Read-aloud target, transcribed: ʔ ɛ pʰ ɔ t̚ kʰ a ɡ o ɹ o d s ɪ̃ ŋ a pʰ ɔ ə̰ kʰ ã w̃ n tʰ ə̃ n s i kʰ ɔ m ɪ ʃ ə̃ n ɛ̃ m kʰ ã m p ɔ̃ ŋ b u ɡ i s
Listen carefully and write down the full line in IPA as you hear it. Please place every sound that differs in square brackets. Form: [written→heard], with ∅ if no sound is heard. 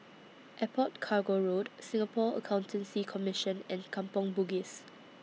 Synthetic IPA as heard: ʔ ɛ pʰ ɔ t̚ kʰ a ɡ o ɹ o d s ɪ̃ ŋ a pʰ ɔ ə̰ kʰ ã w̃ n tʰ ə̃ n s i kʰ ɔ m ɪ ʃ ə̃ n ɛ̃ [m→n] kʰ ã m p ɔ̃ ŋ b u ɡ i s